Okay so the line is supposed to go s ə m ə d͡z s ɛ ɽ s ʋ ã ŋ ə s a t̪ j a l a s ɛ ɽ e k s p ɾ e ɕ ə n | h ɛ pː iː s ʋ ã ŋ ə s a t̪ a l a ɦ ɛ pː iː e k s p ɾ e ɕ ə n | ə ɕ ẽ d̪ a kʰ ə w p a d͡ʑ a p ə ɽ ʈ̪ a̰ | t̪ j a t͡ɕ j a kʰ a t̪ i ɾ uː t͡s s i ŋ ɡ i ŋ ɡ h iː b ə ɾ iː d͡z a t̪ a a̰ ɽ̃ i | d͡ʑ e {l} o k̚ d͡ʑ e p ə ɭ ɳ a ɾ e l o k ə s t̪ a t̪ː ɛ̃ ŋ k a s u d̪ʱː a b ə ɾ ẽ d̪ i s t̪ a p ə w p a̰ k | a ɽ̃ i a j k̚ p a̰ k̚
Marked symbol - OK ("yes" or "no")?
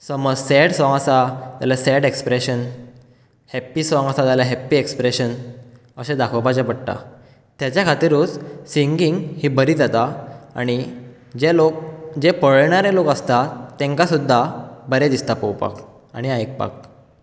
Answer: yes